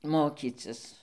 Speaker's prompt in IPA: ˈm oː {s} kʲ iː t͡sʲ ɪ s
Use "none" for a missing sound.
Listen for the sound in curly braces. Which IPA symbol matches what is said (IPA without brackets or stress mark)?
none